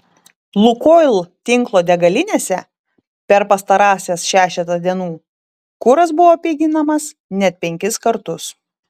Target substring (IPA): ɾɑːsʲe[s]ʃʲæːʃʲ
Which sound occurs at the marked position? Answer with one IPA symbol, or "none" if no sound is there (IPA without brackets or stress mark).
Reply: s